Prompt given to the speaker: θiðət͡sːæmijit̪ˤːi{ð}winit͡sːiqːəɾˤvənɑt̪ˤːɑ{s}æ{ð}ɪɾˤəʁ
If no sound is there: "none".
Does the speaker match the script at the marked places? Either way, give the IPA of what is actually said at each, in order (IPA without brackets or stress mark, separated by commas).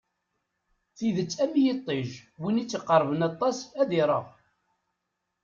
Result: ʒ, s, ð